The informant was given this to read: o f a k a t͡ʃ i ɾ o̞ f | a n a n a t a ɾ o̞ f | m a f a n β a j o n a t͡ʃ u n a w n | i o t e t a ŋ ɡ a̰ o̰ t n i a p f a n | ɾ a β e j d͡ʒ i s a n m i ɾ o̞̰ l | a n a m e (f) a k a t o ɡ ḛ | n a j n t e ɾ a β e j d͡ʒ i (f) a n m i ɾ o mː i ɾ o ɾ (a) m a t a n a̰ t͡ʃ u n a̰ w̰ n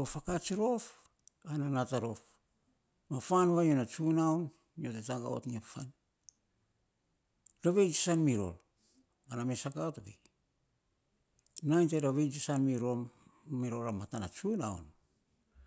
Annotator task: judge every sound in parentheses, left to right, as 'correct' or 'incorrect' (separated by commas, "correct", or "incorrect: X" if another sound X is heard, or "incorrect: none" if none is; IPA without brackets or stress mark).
incorrect: s, incorrect: s, correct